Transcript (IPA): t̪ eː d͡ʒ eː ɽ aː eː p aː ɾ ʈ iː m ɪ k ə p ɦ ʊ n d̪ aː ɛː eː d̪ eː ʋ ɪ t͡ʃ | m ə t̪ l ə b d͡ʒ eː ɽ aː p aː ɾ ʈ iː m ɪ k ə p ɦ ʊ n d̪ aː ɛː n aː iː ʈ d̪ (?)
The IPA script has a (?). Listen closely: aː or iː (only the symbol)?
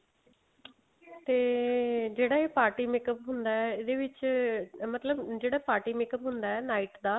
aː